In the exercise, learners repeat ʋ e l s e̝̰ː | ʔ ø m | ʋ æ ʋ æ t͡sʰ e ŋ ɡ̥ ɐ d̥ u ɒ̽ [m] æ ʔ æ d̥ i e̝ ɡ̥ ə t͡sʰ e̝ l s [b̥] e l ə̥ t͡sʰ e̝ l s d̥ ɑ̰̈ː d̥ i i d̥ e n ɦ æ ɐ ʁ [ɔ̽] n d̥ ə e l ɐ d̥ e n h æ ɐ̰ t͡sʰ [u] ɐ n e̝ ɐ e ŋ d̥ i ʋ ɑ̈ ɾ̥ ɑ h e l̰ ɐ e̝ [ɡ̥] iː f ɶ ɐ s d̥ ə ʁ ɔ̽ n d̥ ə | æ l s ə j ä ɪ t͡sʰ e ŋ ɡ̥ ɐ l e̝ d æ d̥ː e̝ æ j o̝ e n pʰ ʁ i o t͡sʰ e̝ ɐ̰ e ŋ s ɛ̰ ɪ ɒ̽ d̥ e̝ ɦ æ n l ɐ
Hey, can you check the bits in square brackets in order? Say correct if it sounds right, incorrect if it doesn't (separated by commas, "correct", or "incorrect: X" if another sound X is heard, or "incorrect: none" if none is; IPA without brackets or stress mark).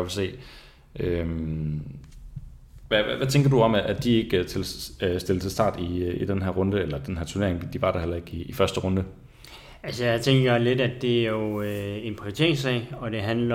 correct, incorrect: d̥, correct, correct, correct